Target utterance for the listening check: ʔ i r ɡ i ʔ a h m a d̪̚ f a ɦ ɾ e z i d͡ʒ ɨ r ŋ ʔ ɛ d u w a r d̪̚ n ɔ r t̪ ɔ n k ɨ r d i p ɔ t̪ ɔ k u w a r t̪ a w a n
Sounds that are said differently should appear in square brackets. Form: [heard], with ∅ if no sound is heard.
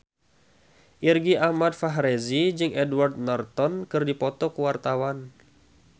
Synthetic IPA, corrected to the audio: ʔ i r ɡ i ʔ a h m a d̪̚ f a ɦ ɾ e z i d͡ʒ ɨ [∅] ŋ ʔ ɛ d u w a r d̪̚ n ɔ r t̪ ɔ n k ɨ r d i p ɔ t̪ ɔ k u w a r t̪ a w a n